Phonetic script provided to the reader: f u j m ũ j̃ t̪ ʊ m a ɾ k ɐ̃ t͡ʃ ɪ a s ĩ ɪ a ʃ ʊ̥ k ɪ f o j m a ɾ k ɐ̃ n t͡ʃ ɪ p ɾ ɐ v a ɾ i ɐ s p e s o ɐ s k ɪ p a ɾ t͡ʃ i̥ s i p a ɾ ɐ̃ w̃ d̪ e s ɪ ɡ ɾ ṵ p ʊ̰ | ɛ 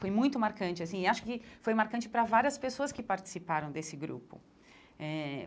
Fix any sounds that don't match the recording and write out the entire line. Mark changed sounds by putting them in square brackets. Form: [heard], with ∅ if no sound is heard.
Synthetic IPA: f [o] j m ũ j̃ t̪ ʊ m a ɾ k ɐ̃ t͡ʃ ɪ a s ĩ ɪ a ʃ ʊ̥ k ɪ f o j m a ɾ k ɐ̃ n t͡ʃ ɪ p ɾ ɐ v a ɾ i ɐ s p e s o ɐ s k ɪ p a ɾ t͡ʃ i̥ s i p a ɾ ɐ̃ w̃ d̪ e s ɪ ɡ ɾ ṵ p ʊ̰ | ɛ